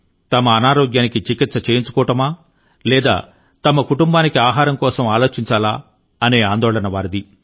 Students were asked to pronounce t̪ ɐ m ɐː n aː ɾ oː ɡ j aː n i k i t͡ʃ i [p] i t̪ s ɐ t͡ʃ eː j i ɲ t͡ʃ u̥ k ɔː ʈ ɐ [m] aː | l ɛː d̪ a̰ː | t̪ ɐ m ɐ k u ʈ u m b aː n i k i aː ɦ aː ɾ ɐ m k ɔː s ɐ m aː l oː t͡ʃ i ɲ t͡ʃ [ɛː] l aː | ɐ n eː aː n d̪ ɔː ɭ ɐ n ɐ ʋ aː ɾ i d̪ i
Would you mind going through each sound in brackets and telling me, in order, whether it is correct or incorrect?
incorrect: k, correct, incorrect: aː

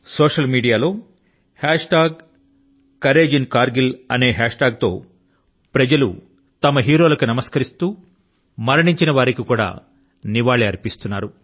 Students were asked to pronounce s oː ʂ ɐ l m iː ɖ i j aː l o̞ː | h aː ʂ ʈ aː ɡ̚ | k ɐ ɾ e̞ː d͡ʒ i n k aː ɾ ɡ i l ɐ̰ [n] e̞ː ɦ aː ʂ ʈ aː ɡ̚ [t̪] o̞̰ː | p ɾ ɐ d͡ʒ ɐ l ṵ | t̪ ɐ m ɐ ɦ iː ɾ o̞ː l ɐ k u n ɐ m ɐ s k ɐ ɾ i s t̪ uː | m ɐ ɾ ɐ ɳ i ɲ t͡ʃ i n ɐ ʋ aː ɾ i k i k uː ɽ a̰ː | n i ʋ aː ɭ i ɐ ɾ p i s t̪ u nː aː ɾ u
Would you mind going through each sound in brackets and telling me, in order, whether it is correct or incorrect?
correct, correct

